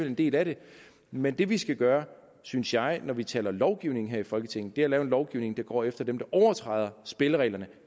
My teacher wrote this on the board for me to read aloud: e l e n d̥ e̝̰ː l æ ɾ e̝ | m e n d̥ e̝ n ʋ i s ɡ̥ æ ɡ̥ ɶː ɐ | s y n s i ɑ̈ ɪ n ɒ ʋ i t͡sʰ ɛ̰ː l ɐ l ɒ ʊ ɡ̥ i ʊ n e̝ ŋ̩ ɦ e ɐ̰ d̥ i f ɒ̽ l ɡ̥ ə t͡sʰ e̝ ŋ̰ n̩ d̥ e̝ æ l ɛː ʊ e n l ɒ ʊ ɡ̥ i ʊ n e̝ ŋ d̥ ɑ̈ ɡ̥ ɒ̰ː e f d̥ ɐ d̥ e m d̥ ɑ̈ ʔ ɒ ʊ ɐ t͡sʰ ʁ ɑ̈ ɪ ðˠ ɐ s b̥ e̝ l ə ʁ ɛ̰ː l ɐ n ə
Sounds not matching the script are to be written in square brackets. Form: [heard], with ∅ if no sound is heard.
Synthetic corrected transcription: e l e n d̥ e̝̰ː l æ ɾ e̝ | m e n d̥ e̝ [∅] ʋ i s ɡ̥ æ ɡ̥ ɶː ɐ | s y n s [j] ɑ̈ ɪ n ɒ ʋ i t͡sʰ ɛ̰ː l ɐ l ɒ ʊ ɡ̥ i ʊ n e̝ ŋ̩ ɦ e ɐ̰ [∅] i f ɒ̽ l ɡ̥ ə t͡sʰ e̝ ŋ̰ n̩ d̥ e̝ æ l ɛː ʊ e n l ɒ ʊ ɡ̥ i ʊ n e̝ ŋ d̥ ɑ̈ ɡ̥ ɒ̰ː e f d̥ ɐ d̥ e m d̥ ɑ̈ ʔ ɒ ʊ ɐ t͡sʰ ʁ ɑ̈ ɪ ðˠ ɐ s b̥ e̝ l ə ʁ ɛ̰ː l ɐ n ə